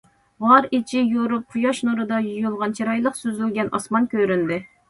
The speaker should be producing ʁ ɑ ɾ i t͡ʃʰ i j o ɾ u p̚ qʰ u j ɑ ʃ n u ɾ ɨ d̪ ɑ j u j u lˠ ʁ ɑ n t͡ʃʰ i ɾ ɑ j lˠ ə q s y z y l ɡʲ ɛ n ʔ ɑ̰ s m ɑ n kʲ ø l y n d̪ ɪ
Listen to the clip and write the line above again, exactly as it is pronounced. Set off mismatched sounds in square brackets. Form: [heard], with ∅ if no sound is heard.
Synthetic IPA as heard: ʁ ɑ ɾ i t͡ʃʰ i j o ɾ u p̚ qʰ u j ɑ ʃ n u ɾ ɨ d̪ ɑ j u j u lˠ ʁ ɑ n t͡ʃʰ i ɾ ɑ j lˠ ə q s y z y l ɡʲ ɛ n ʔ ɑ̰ s m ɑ n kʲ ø [ɾ] y n d̪ ɪ